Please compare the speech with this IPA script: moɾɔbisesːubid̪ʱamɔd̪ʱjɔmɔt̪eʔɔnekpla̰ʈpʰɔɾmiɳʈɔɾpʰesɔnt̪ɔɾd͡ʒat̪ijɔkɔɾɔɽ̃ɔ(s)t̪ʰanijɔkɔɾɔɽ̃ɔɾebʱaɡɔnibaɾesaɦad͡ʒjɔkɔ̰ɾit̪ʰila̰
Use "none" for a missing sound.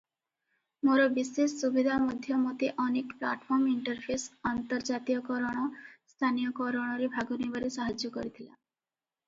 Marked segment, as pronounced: s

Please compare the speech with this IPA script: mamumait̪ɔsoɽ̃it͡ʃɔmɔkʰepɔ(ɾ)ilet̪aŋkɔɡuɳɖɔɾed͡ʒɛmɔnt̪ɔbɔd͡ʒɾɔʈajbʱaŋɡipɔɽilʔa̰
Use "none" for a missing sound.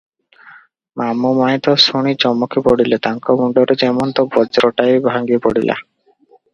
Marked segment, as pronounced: ɽ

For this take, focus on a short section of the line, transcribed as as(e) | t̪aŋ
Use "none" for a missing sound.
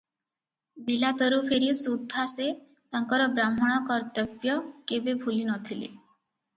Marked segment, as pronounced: e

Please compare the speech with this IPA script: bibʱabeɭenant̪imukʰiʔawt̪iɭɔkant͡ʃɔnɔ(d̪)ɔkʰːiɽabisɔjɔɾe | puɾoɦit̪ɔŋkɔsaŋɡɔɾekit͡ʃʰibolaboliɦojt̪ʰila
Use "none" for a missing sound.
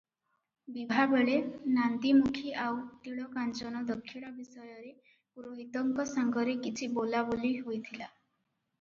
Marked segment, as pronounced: d̪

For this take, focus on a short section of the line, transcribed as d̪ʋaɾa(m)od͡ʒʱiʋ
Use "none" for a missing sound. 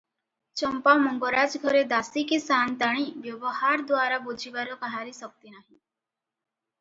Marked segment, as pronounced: b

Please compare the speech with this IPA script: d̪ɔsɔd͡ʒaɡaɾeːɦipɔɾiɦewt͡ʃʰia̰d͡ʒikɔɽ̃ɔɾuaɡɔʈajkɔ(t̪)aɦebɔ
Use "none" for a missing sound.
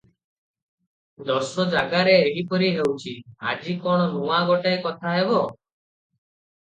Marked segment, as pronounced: t̪ʰ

